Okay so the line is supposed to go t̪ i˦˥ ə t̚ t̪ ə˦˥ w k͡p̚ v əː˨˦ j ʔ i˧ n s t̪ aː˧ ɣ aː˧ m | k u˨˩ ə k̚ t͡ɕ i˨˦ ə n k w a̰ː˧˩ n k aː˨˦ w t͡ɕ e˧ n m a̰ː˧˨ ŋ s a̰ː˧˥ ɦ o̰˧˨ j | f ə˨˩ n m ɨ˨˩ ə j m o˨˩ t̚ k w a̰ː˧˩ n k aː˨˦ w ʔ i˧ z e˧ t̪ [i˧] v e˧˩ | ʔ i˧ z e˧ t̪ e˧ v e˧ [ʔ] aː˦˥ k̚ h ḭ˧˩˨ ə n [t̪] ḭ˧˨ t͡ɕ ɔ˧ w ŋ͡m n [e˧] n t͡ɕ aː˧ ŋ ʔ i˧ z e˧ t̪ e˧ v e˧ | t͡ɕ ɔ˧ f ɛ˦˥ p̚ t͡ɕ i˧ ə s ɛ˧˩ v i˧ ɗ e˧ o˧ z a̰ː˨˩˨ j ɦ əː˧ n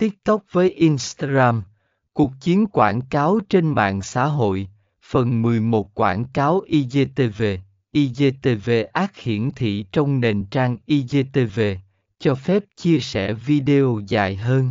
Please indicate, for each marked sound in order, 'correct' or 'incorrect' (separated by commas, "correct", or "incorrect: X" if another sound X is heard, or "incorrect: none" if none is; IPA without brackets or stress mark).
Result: incorrect: e˧, correct, incorrect: t̪ʰ, incorrect: e˨˩